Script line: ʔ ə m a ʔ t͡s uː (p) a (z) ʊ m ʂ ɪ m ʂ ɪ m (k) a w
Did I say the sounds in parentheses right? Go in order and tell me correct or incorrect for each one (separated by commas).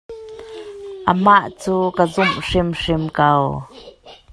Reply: incorrect, correct, correct